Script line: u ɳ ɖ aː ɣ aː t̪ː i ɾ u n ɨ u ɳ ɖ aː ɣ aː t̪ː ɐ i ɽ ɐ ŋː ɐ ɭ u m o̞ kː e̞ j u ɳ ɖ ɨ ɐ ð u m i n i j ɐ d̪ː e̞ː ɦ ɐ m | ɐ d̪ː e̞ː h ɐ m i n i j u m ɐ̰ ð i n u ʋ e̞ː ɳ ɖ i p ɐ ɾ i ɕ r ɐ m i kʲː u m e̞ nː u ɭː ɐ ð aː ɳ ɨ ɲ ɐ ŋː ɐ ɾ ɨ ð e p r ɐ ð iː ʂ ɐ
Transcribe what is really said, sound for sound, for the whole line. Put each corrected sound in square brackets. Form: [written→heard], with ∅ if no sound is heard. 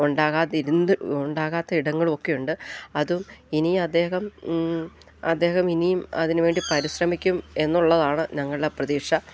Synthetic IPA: u ɳ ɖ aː ɣ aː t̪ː i ɾ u n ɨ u ɳ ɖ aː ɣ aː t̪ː ɐ i ɽ ɐ ŋː ɐ ɭ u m o̞ kː e̞ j u ɳ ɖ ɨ ɐ ð u m i n i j ɐ d̪ː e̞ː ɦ ɐ m | ɐ d̪ː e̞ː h ɐ m i n i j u m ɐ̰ ð i n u ʋ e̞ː ɳ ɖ i p ɐ ɾ i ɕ r ɐ m i kʲː u m e̞ nː u ɭː ɐ ð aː ɳ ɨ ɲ ɐ ŋː ɐ [ɾ→ɭ] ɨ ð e p r ɐ ð iː ʂ ɐ